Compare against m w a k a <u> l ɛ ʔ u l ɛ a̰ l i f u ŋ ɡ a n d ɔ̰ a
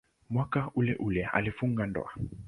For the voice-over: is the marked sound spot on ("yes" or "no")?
yes